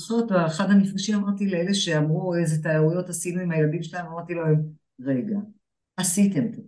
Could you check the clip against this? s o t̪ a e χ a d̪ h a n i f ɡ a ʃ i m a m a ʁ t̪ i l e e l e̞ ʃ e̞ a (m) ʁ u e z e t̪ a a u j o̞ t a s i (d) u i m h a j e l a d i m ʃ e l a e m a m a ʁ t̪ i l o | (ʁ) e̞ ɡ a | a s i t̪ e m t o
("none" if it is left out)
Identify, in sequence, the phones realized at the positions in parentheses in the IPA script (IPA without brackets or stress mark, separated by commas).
m, n, ʁ